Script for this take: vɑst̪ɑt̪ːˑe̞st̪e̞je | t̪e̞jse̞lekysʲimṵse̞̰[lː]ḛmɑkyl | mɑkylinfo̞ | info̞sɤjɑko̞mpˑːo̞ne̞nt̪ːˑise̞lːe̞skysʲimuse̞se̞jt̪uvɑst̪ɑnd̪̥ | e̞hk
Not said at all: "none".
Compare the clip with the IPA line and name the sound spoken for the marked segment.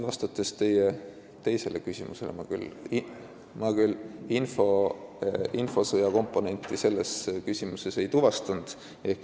l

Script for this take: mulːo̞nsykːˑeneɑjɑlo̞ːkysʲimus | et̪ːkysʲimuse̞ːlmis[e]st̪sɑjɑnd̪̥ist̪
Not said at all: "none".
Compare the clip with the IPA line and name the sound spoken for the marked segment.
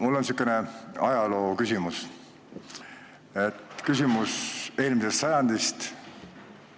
e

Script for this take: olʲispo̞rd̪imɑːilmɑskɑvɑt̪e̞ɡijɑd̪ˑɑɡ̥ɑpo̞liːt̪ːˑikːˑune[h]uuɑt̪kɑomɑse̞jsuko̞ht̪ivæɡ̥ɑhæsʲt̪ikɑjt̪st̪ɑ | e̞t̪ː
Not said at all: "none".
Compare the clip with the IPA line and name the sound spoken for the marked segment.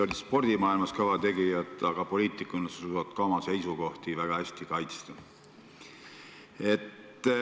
s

